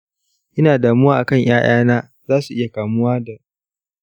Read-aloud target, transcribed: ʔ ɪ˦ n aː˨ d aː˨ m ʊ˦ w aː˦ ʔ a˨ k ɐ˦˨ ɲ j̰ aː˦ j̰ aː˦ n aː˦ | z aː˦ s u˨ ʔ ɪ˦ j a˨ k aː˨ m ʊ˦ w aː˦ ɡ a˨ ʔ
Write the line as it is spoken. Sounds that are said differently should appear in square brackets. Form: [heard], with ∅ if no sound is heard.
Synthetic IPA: ʔ ɪ˦ n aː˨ d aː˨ m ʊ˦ w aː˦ ʔ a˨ k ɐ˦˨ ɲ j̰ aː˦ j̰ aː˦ n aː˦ | z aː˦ s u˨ ʔ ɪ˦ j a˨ k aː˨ m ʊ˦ w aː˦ [d] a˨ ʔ